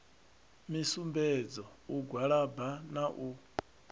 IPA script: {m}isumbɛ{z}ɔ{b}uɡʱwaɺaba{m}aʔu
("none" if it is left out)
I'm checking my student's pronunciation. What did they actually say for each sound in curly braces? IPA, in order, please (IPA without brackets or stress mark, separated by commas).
m, d͡z, none, n